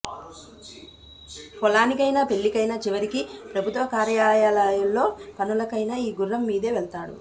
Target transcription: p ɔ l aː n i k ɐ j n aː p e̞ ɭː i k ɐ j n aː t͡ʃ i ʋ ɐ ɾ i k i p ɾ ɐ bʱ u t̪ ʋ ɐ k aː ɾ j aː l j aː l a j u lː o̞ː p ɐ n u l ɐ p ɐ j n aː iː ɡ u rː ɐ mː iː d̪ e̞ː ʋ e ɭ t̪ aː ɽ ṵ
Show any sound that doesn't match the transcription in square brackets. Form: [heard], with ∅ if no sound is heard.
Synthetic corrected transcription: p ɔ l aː n i k ɐ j n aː p e̞ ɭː i k ɐ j n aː t͡ʃ i ʋ ɐ ɾ i k i p ɾ ɐ bʱ u t̪ ʋ ɐ k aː ɾ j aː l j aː l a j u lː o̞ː p ɐ n u l ɐ [k] ɐ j n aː iː ɡ u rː ɐ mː iː d̪ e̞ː ʋ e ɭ t̪ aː ɽ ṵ